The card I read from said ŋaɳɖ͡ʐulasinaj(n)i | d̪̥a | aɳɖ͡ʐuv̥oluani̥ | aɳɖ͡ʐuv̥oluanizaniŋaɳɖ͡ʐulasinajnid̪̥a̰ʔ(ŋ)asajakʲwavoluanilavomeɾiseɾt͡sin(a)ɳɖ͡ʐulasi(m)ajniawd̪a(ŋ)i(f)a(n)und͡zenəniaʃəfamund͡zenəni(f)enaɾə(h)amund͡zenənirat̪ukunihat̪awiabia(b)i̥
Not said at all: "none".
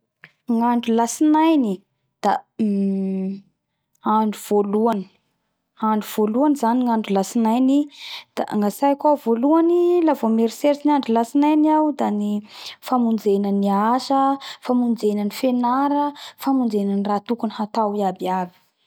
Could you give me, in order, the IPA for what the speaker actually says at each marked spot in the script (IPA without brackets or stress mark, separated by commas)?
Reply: n, ŋ, a, n, n, f, m, f, f, b